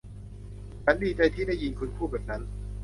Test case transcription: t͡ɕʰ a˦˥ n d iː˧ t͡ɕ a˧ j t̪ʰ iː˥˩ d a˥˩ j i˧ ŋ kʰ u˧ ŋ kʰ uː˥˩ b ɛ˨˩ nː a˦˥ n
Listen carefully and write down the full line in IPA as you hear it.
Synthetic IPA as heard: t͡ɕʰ a˦˥ n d iː˧ t͡ɕ a˧ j t̪ʰ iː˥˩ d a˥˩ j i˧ n kʰ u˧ n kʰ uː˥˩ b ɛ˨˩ n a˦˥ n

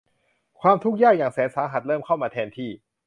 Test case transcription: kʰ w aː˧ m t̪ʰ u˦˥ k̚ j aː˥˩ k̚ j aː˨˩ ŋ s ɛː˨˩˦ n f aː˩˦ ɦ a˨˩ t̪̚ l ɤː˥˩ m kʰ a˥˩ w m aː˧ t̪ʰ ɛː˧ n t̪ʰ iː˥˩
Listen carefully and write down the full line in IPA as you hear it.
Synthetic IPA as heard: kʰ w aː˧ m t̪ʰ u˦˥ k̚ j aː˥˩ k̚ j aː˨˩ ŋ s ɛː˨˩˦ n s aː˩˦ ɦ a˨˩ t̪̚ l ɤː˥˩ m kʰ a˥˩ w m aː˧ t̪ʰ ɛː˧ n t̪ʰ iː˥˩

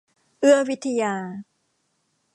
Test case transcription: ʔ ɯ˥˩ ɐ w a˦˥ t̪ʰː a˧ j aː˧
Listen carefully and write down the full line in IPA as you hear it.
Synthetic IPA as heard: ʔ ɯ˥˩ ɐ w i˦˥ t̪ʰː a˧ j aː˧

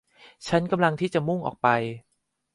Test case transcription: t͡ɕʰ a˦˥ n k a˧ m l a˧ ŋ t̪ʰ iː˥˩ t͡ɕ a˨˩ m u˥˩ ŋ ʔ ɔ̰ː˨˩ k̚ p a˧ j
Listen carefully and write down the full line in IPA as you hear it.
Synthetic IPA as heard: t͡ɕʰ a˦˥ n k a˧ m l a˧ ŋ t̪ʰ iː˥˩ t͡ɕ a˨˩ m u˥˩ ŋ ʔ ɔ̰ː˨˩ k̚ p a˧ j

